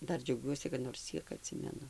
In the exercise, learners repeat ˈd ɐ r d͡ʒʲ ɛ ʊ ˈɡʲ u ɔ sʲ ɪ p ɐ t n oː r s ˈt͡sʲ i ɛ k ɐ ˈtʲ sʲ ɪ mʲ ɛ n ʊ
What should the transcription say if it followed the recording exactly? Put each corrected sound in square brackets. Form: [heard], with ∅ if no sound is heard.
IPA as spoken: ˈd ɐ r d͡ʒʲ ɛ ʊ ˈɡʲ u ɔ sʲ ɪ [k] ɐ t n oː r s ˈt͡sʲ i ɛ k ɐ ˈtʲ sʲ ɪ mʲ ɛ n ʊ

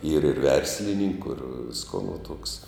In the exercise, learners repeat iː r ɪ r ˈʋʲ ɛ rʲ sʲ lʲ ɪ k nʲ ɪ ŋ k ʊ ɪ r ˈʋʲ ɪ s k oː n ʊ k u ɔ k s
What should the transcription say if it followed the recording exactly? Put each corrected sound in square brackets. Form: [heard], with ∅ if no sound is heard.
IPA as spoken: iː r ɪ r ˈʋʲ ɛ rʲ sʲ lʲ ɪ [∅] nʲ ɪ ŋ k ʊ ɪ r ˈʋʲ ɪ s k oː n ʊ [t] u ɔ k s

